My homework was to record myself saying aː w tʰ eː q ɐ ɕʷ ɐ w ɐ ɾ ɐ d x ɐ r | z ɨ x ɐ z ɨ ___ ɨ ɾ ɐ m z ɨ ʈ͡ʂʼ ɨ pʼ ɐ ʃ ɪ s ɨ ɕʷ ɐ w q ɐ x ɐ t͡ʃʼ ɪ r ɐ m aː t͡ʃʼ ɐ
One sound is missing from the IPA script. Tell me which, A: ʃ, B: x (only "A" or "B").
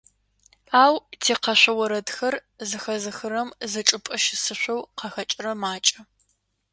B